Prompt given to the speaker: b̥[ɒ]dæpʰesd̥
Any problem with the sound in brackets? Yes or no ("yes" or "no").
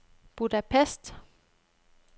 yes